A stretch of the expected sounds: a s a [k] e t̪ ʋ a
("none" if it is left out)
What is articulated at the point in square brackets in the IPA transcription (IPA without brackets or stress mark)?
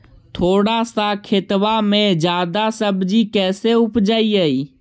kʰ